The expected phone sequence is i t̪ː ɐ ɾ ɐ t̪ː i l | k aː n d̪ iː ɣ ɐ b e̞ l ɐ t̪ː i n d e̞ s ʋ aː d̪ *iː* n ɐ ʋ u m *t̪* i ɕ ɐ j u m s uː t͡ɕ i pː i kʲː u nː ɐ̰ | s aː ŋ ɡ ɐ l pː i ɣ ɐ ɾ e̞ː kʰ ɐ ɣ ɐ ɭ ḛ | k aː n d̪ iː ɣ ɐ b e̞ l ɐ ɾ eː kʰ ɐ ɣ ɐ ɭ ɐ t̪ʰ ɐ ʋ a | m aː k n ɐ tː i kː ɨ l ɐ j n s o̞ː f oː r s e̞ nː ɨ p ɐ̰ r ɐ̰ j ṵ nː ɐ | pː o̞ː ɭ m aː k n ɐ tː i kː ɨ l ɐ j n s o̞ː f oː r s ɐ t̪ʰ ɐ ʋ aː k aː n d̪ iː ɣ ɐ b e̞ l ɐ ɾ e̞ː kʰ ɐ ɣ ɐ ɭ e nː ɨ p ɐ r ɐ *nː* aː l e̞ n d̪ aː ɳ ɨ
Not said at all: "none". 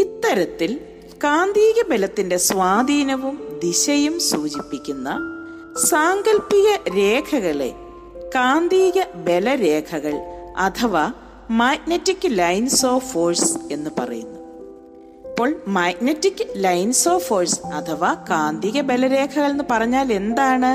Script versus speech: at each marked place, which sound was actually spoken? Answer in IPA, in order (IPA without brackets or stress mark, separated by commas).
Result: iː, d̪, ɲː